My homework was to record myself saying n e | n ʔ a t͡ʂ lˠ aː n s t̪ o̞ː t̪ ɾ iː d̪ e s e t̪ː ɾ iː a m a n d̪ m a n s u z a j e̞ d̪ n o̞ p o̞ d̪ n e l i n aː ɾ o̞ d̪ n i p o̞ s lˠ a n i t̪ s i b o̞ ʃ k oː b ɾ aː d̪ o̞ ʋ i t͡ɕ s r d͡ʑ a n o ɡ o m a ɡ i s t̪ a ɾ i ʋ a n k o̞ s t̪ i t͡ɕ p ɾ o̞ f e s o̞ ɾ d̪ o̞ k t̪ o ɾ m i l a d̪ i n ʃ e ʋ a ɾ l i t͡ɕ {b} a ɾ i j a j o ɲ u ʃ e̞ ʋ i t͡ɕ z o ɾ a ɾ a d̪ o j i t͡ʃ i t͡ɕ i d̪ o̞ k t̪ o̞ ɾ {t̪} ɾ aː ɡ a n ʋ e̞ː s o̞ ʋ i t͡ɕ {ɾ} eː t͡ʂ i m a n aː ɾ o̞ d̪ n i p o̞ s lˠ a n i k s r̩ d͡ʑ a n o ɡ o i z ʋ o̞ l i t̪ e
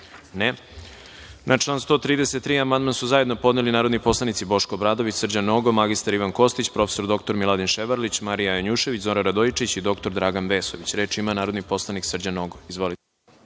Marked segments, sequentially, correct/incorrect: incorrect, incorrect, correct

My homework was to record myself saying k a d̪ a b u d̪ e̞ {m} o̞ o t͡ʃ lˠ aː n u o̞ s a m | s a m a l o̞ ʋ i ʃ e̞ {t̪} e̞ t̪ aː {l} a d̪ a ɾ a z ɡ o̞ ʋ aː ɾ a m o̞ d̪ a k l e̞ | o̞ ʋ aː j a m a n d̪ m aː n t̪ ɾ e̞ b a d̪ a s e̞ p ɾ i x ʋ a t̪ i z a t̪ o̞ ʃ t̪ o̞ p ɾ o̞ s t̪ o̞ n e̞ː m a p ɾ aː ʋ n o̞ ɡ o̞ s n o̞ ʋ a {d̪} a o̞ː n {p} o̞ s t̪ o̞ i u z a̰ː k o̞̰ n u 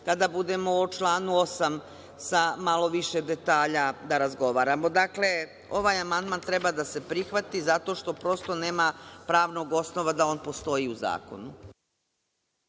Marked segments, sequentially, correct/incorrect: correct, incorrect, incorrect, correct, correct

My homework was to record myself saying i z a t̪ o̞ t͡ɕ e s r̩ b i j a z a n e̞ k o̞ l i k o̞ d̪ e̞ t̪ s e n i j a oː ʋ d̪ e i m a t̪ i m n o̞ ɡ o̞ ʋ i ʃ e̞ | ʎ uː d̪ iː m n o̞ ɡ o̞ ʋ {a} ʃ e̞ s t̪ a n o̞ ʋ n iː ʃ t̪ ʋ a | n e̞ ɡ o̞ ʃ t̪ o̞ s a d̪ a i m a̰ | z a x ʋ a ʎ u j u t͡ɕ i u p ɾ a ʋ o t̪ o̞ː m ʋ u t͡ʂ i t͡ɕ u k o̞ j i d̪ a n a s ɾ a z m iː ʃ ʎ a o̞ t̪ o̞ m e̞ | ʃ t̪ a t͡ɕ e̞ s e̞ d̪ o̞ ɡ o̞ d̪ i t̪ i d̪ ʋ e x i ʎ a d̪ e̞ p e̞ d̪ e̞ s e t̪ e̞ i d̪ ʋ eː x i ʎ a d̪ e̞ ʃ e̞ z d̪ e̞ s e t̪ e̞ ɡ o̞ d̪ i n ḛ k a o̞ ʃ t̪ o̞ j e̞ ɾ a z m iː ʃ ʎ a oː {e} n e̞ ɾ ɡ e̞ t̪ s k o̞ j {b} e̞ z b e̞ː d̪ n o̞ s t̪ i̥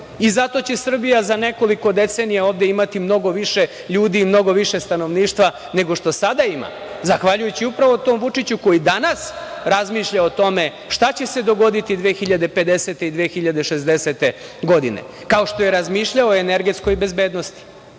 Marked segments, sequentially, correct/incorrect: incorrect, correct, correct

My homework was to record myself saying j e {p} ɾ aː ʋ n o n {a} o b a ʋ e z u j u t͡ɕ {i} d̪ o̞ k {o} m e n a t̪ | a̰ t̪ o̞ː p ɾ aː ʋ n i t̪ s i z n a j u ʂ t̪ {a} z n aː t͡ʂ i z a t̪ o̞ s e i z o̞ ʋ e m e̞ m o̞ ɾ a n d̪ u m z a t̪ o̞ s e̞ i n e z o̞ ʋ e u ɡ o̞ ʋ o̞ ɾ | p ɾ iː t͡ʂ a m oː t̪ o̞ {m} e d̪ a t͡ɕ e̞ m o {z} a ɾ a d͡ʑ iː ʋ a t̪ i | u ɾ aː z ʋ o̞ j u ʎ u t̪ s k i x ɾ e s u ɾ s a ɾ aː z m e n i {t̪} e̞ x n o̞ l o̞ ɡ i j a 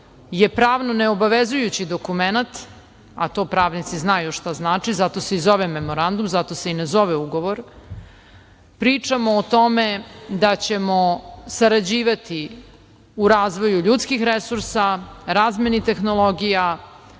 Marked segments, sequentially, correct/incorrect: correct, incorrect, correct, incorrect, correct, correct, incorrect, correct

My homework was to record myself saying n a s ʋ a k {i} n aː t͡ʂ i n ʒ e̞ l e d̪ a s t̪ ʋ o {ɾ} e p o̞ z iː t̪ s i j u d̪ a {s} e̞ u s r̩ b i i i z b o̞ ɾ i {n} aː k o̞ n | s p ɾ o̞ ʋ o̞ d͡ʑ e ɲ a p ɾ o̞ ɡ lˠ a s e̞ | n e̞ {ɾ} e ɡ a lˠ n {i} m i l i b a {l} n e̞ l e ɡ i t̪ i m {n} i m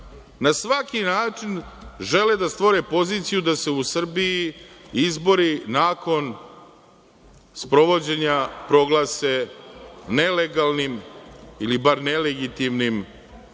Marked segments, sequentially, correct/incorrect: correct, correct, correct, correct, incorrect, correct, incorrect, correct

